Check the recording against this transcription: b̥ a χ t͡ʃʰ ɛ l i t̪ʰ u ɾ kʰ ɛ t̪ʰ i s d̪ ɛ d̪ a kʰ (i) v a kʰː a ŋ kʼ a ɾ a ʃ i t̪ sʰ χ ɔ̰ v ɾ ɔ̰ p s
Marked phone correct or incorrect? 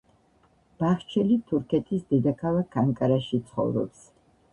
incorrect